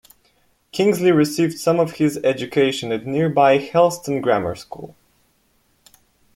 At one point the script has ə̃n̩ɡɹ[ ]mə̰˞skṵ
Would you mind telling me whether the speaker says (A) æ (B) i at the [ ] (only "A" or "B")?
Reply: A